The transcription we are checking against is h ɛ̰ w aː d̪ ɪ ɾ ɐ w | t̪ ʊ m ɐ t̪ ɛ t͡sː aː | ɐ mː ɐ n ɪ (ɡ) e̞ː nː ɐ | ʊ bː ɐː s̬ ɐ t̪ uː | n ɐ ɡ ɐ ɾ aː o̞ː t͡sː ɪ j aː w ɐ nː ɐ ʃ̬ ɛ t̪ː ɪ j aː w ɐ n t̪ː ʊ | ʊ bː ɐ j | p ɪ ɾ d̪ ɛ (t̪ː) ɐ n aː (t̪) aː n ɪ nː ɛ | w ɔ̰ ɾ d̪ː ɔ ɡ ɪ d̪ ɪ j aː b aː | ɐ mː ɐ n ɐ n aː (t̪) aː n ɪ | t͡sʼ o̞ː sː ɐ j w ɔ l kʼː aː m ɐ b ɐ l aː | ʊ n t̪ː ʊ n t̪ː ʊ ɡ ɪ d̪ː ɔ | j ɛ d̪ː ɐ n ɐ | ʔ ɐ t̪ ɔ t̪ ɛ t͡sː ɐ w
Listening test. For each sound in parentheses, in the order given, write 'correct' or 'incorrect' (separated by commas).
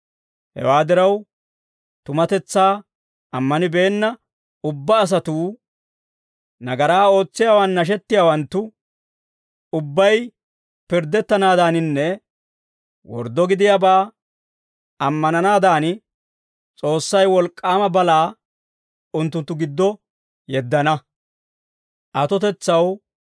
incorrect, correct, incorrect, incorrect